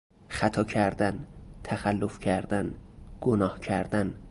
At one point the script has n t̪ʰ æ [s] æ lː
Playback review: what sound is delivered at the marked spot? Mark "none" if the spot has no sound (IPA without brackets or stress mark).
x